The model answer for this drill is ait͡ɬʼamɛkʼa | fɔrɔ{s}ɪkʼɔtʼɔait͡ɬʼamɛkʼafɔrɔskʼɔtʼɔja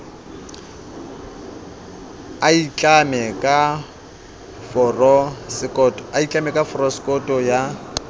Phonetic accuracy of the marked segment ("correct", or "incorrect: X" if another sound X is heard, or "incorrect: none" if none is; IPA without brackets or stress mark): correct